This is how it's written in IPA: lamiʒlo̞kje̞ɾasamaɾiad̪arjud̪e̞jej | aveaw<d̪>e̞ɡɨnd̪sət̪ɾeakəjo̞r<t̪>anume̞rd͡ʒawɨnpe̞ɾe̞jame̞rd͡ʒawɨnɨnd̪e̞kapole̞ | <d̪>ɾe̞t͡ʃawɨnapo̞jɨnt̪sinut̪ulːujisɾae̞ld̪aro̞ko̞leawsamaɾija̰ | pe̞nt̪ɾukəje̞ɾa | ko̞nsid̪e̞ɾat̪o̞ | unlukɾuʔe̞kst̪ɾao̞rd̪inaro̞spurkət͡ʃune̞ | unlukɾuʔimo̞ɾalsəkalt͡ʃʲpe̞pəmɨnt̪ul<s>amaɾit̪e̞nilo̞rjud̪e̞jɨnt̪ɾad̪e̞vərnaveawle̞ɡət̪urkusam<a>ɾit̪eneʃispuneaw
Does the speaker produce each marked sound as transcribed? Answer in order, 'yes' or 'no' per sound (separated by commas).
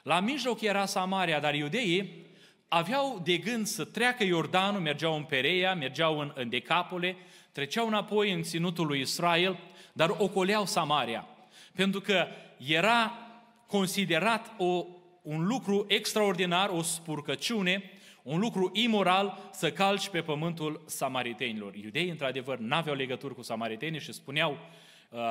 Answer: yes, no, no, yes, yes